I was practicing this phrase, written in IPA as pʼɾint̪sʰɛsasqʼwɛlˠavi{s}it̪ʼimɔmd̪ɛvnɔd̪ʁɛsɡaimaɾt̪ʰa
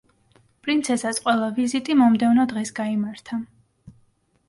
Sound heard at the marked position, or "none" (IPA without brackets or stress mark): z